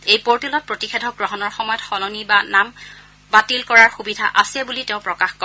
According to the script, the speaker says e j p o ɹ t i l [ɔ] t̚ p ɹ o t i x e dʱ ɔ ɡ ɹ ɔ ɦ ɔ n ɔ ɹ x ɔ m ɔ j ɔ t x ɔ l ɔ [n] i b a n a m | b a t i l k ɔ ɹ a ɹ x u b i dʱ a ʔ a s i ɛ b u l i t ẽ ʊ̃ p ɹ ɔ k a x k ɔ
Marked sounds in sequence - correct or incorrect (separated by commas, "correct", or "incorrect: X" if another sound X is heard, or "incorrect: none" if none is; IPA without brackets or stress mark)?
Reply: correct, correct